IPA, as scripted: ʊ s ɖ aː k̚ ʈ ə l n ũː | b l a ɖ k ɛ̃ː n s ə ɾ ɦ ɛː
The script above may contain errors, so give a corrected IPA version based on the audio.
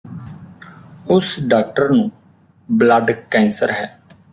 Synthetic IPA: ʊ s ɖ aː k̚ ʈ ə ɾ n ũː | b l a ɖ k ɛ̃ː n s ə ɾ ɦ ɛː

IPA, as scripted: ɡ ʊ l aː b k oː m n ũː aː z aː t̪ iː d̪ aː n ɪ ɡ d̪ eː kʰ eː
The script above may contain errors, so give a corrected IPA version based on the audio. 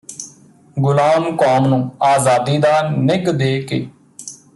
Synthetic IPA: ɡ ʊ l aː m k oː m n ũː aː z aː d̪ iː d̪ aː n ɪ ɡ d̪ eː k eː

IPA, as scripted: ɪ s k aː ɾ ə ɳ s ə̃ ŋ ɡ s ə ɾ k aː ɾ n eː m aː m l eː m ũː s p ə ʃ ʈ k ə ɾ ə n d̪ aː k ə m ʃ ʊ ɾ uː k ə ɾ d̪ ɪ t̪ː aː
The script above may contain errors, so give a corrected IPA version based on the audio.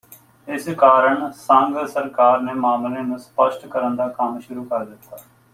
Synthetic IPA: ɪ s k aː ɾ ə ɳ s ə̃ ŋ ɡ s ə ɾ k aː ɾ n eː m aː m l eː n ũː s p ə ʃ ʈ k ə ɾ ə n d̪ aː k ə m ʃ ʊ ɾ uː k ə ɾ d̪ ɪ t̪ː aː

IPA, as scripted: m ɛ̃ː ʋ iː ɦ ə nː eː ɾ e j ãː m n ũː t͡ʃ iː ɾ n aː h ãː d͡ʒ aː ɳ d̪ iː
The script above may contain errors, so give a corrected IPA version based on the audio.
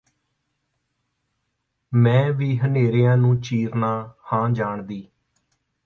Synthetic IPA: m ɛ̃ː ʋ iː ɦ ə n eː ɾ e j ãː n ũː t͡ʃ iː ɾ n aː h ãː d͡ʒ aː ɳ d̪ iː

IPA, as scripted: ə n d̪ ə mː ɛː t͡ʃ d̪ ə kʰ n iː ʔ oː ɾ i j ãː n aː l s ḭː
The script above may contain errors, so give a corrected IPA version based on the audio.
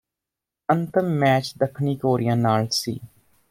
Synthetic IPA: ə n t̪ ə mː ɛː t͡ʃ d̪ ə kʰ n iː k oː ɾ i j ãː n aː l s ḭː

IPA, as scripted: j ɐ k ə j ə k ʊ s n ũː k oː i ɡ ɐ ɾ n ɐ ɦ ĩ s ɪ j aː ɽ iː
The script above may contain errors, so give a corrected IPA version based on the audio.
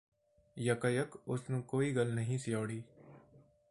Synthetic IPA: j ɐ k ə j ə k ʊ s n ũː k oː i ɡ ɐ l n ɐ ɦ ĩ s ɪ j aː ɽ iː

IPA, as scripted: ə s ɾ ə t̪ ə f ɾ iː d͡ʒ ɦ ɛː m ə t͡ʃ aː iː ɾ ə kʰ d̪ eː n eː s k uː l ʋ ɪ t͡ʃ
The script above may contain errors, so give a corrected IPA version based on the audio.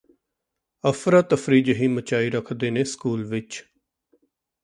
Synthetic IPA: ə f ɾ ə t̪ ə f ɾ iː d͡ʒ ɦ iː m ə t͡ʃ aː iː ɾ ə kʰ d̪ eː n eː s k uː l ʋ ɪ t͡ʃ

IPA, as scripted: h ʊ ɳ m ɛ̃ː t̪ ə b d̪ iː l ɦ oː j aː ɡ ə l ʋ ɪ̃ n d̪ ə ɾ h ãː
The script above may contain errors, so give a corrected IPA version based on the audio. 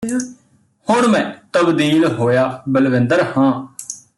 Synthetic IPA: h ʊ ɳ m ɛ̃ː t̪ ə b d̪ iː l ɦ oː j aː b ə l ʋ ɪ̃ n d̪ ə ɾ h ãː

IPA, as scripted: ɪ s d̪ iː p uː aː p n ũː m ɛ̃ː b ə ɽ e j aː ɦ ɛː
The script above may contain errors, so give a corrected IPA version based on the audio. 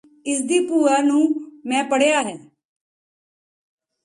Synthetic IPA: ɪ s d̪ iː p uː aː n ũː m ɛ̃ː p ə ɽ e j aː ɦ ɛː

